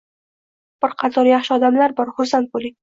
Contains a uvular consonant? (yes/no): yes